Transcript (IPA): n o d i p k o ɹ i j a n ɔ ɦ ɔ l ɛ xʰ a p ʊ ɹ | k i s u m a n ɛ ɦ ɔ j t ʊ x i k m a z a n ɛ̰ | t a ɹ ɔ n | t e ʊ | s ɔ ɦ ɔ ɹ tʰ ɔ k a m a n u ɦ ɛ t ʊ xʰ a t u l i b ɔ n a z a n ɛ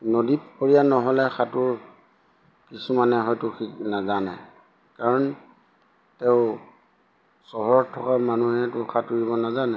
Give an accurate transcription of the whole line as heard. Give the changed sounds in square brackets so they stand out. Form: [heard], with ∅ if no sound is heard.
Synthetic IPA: n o d i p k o ɹ i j a n ɔ ɦ ɔ l ɛ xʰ a [t] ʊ ɹ | k i s u m a n ɛ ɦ ɔ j t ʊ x i k [n] a z a n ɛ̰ | [k] a ɹ ɔ n | t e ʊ | s ɔ ɦ ɔ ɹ tʰ ɔ k a m a n u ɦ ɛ t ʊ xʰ a t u [ɹ] i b ɔ n a z a n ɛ